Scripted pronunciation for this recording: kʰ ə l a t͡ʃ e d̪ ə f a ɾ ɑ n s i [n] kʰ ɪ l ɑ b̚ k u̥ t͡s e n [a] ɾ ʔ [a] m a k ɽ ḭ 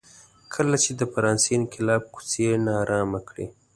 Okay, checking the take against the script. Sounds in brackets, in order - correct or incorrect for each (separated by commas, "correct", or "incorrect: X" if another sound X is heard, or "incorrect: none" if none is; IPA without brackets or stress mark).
correct, incorrect: ɑ, incorrect: ɑ